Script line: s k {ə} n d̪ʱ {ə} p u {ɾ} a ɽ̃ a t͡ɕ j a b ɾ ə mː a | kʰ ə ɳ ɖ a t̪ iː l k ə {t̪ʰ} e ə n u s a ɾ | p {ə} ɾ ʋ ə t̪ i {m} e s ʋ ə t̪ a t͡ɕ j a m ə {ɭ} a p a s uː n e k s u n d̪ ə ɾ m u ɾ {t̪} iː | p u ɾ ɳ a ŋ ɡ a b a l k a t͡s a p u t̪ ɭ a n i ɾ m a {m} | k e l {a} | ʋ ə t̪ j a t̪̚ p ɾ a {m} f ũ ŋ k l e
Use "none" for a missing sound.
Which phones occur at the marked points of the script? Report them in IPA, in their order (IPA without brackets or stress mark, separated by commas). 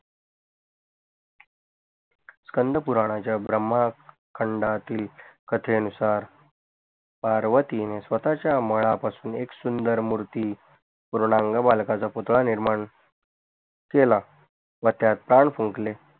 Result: ə, ə, ɾ, t̪ʰ, a, n, ɭ, t̪, ɳ, a, ɳ